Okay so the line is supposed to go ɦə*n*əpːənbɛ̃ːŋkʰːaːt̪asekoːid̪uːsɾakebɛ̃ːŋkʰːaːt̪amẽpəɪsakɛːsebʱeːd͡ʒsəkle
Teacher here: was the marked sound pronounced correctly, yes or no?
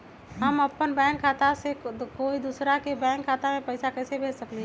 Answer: no